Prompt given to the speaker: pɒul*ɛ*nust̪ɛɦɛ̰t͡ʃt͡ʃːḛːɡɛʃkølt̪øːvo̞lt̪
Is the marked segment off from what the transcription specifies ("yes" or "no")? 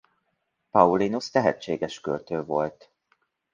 yes